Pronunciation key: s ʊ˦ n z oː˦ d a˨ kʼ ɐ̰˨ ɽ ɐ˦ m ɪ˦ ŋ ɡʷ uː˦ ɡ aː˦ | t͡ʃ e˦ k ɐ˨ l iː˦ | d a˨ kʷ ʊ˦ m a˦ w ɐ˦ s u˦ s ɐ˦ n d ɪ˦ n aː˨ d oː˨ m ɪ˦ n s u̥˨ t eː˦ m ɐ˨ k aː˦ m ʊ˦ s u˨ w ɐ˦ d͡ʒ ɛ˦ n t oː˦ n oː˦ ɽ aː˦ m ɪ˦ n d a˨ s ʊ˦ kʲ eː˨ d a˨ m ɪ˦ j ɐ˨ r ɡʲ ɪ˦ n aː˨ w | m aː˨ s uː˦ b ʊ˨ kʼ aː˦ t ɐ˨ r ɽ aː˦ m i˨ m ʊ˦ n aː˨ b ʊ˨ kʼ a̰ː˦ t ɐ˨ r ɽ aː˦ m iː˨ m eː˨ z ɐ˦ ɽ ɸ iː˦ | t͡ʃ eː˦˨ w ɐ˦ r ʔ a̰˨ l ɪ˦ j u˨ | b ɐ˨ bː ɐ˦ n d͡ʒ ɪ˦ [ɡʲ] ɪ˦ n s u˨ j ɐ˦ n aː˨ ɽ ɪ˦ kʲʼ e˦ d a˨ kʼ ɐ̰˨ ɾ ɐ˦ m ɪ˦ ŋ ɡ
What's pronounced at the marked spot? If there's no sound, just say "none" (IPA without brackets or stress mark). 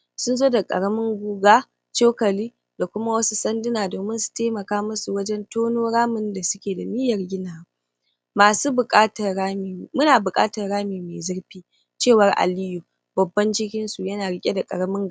kʲ